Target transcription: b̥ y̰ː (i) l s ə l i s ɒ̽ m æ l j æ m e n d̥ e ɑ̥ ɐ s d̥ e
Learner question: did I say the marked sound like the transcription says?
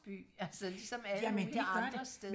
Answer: no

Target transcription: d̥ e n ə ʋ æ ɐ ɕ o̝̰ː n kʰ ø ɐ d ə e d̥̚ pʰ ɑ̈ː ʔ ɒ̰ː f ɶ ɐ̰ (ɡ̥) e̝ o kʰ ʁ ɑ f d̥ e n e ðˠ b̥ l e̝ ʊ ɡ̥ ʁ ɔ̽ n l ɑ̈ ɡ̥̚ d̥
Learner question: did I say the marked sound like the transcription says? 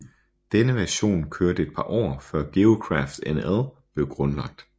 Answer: yes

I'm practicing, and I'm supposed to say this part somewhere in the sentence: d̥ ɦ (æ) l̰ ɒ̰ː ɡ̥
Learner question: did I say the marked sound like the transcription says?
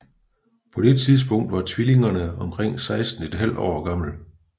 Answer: yes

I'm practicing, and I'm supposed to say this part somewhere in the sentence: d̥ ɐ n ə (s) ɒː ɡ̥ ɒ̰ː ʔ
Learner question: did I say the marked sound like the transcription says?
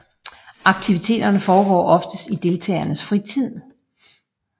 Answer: no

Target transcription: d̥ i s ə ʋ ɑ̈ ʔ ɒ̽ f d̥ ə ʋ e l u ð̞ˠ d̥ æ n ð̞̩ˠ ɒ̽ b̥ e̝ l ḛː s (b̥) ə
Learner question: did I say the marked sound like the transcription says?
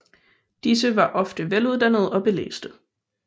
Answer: no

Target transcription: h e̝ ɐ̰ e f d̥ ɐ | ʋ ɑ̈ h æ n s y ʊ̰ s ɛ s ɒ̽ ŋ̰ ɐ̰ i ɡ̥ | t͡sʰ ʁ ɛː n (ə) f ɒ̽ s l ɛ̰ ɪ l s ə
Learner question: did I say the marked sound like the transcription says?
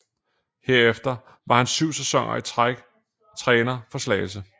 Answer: no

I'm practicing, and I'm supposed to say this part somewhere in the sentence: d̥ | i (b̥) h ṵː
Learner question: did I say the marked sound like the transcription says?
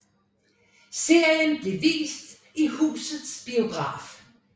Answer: no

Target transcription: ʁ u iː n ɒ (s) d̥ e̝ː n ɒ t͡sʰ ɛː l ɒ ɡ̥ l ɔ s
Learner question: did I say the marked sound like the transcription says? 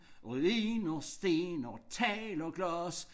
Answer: yes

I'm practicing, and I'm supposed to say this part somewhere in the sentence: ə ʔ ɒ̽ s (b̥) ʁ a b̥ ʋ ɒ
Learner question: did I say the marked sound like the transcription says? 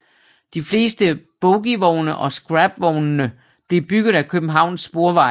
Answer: no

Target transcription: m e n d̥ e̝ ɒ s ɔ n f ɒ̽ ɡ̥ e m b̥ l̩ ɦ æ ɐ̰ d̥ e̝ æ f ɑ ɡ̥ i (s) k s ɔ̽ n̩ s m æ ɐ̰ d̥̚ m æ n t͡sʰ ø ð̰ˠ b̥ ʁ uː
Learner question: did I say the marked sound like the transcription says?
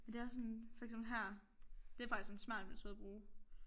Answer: yes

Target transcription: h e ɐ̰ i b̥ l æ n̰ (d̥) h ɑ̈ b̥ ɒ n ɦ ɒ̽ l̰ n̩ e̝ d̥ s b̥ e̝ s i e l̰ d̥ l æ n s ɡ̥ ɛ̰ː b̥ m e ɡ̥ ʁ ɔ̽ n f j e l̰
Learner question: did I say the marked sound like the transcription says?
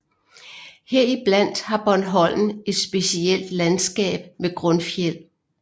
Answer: yes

